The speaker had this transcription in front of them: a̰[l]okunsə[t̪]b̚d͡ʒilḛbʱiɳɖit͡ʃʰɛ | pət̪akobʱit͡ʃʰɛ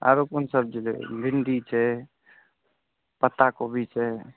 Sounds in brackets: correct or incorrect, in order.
incorrect: ɾ, incorrect: none

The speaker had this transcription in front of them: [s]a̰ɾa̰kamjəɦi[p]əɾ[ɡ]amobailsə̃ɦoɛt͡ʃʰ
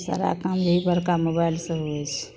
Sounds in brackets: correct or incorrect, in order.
correct, incorrect: b, incorrect: k

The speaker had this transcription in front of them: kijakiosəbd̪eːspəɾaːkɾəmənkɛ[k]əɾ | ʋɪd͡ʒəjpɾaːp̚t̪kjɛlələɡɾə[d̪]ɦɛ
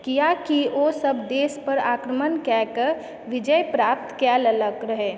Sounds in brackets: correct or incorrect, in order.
correct, incorrect: none

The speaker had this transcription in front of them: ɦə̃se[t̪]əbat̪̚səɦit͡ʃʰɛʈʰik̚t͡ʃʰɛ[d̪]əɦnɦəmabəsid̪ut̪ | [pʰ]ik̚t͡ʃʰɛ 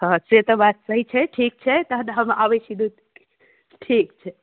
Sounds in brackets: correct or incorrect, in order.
correct, incorrect: t̪, incorrect: ʈʰ

